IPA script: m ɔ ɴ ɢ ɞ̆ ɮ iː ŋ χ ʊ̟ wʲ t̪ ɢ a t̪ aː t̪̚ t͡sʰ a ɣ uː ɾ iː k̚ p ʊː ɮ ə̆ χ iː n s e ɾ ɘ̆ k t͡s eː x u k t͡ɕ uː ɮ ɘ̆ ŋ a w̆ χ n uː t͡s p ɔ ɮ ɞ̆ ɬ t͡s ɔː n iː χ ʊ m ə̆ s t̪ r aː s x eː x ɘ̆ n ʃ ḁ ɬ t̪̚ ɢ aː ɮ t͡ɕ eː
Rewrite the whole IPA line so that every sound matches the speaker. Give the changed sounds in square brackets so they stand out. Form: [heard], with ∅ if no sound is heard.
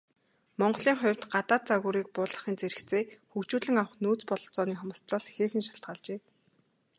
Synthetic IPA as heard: m ɔ ɴ ɢ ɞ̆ ɮ iː ŋ χ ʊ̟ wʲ t̪ ɢ a t̪ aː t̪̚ [t͡s] a ɣ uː ɾ iː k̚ p ʊː ɮ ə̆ χ iː n [t͡s] e ɾ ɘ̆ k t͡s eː x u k t͡ɕ uː ɮ ɘ̆ ŋ a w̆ χ n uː t͡s p ɔ ɮ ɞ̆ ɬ t͡s ɔː n iː χ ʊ m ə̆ s t̪ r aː s x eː x ɘ̆ n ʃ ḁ ɬ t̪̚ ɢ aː ɮ t͡ɕ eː